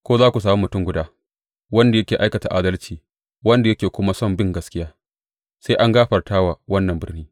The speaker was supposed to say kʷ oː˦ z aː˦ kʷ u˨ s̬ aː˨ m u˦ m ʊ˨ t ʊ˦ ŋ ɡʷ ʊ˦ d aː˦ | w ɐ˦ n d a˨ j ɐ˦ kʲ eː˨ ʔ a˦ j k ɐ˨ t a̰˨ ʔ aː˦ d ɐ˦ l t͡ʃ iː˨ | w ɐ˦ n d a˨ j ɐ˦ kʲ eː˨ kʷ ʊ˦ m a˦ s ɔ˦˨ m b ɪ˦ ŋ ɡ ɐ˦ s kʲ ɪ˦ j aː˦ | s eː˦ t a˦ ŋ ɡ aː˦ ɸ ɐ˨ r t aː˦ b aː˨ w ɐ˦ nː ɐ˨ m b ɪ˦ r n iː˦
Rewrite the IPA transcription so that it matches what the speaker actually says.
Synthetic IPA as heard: kʷ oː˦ z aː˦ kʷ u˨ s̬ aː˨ m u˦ m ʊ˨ t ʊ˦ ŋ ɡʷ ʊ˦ d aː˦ | w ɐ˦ n d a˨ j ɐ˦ kʲ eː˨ ʔ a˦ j k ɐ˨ t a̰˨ ʔ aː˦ d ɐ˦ l t͡ʃ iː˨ | w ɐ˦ n d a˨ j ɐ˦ kʲ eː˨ kʷ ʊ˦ m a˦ s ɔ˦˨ m b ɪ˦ ŋ ɡ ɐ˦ s kʲ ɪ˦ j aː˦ | s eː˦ ʔ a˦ ŋ ɡ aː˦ ɸ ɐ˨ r t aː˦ w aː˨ w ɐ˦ nː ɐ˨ m b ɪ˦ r n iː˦